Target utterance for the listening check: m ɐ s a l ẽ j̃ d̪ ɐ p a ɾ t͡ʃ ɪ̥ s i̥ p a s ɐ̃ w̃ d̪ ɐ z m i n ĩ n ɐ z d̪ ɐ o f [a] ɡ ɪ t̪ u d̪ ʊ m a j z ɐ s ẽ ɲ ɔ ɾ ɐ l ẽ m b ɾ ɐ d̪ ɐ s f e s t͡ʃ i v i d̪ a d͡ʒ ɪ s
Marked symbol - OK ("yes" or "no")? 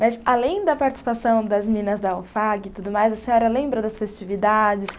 yes